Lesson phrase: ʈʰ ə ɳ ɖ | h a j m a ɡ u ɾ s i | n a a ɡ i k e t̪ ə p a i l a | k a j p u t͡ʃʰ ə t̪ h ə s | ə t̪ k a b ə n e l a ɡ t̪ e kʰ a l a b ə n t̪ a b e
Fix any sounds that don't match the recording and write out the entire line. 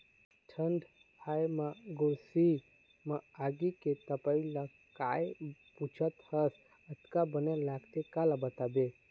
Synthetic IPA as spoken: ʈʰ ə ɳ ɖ | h a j m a ɡ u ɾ s i | m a a ɡ i k e t̪ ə p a i l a | k a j p u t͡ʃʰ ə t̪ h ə s | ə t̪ k a b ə n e l a ɡ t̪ e k a l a b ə t̪ a b e